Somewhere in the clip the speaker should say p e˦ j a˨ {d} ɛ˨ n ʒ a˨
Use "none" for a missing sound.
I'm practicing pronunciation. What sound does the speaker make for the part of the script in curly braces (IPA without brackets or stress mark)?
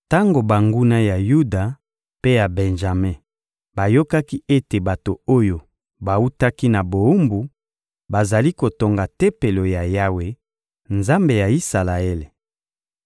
b